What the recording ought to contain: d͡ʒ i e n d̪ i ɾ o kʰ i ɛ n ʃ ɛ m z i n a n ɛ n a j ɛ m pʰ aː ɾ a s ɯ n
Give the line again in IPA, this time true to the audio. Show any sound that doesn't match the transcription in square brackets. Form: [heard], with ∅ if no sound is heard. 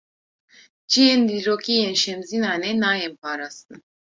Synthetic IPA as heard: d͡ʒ i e n d̪ i ɾ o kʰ i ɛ n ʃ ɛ m z i n a n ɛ n a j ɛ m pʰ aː ɾ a s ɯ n